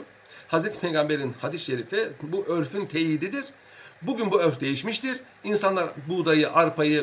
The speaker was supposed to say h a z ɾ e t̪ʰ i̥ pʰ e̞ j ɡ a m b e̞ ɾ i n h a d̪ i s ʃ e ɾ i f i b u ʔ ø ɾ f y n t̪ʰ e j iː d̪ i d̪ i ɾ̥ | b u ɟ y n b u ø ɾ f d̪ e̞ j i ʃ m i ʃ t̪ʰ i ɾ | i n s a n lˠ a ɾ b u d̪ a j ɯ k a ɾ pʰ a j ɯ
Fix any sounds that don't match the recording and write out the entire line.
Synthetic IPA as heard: h a z ɾ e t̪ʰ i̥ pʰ e̞ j ɡ a m b e̞ ɾ i n h a d̪ i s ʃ e ɾ i f i b u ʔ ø ɾ f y n t̪ʰ e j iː d̪ i d̪ i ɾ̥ | b u ɟ y n b u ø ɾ f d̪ e̞ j i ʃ m i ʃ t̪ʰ i ɾ | i n s a n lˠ a ɾ b u d̪ a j ɯ ʔ a ɾ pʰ a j ɯ